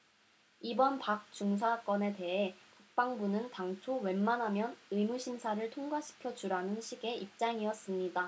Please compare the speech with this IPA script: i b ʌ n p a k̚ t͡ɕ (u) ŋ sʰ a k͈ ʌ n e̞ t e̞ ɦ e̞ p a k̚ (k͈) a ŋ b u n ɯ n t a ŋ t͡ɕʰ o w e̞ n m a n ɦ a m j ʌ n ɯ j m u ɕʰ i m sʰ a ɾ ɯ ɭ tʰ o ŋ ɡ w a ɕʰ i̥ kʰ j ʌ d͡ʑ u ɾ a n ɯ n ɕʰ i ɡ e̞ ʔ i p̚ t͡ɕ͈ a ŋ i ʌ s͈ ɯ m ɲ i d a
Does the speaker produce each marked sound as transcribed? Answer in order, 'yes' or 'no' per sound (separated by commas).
yes, no